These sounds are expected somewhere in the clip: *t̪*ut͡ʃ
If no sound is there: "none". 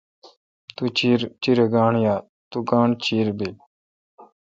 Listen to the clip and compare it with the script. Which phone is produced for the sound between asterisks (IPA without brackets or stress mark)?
t̪